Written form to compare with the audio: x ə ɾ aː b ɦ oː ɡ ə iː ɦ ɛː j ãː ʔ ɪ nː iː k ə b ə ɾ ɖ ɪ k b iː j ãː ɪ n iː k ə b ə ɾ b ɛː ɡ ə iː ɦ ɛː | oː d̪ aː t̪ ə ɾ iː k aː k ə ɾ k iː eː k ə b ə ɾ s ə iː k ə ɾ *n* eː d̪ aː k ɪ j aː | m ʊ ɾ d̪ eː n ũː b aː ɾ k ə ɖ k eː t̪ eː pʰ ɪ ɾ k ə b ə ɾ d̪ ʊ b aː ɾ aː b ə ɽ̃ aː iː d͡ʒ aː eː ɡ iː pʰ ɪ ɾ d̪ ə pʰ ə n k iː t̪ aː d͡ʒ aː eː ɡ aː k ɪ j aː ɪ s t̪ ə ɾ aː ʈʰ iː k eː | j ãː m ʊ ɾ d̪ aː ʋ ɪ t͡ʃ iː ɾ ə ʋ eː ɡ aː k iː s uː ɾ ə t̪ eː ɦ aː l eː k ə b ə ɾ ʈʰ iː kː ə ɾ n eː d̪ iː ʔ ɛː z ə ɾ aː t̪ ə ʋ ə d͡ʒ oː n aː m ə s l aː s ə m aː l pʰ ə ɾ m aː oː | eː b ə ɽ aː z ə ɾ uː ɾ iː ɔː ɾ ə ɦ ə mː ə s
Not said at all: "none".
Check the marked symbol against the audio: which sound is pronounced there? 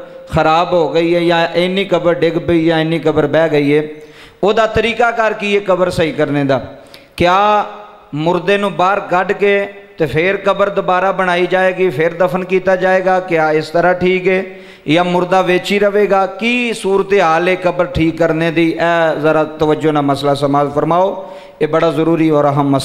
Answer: n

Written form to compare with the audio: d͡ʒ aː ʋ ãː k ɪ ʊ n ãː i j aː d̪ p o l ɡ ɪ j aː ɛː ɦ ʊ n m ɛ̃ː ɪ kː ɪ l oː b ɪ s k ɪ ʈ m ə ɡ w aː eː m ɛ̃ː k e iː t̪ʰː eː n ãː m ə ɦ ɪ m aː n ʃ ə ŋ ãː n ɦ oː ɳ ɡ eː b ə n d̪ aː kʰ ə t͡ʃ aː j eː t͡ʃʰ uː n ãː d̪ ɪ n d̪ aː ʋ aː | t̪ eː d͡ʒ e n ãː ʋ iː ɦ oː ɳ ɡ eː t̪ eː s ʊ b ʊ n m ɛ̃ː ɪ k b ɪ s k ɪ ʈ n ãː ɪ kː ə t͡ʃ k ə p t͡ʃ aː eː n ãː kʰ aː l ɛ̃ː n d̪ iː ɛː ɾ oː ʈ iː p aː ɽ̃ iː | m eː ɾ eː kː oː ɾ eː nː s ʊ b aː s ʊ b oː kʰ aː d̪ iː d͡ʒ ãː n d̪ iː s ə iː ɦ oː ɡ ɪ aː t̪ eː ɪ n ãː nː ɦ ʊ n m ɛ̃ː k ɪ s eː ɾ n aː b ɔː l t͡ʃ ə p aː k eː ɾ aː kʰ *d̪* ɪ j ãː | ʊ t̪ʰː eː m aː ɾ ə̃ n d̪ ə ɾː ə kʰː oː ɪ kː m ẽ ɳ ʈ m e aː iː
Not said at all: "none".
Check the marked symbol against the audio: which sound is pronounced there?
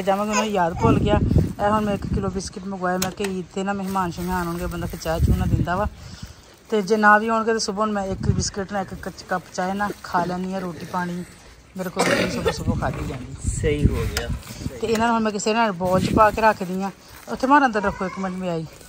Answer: d̪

